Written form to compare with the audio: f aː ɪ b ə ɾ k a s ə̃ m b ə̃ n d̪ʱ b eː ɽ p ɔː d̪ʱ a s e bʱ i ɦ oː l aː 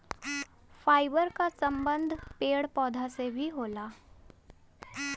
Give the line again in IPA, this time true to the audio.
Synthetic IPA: f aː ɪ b ə ɾ k a s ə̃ m b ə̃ n d̪ʱ p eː ɽ p ɔː d̪ʱ a s e bʱ i ɦ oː l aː